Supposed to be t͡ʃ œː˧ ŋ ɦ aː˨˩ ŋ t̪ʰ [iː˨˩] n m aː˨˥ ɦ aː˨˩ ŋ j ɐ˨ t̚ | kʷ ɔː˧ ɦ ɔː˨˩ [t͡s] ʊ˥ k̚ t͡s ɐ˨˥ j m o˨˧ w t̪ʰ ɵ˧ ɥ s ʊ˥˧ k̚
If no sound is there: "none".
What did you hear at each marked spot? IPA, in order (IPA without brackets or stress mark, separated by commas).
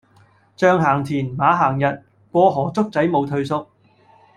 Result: iː˨˩, t͡s